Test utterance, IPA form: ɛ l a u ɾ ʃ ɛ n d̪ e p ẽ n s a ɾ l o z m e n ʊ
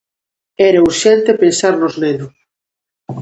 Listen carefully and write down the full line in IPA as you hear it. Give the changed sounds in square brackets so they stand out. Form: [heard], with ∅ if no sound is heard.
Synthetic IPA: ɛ [ɾ] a u ɾ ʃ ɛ n [t̪] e p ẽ n s a ɾ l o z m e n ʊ